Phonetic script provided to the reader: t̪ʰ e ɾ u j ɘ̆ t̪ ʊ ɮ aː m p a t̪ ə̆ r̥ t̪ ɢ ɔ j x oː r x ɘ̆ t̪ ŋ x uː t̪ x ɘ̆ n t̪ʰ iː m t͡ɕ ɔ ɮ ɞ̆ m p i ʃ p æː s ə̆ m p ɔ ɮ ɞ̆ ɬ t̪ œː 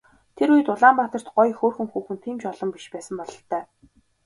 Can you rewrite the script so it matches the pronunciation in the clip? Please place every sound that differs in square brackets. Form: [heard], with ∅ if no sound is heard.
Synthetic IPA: t̪ʰ e ɾ u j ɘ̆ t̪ ʊ ɮ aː m p a t̪ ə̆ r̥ t̪ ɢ ɔ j x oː r x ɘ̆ [∅] ŋ x uː [∅] x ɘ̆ n t̪ʰ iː m t͡ɕ ɔ ɮ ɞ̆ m p i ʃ p æː s ə̆ m p ɔ ɮ ɞ̆ ɬ t̪ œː